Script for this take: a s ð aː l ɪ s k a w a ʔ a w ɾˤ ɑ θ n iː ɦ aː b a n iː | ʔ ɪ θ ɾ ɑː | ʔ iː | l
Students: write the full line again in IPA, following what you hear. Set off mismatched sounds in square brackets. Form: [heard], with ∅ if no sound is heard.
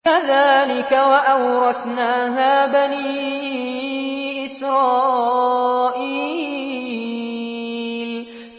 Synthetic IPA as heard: a [∅] ð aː l ɪ [∅] k a w a ʔ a w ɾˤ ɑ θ n [aː] ɦ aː b a n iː | ʔ ɪ [s] ɾ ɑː | ʔ iː | l